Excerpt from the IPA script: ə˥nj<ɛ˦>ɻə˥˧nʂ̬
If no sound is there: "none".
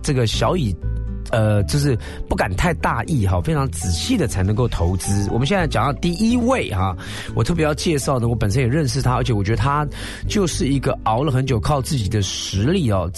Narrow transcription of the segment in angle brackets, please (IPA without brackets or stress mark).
ɛ˨˩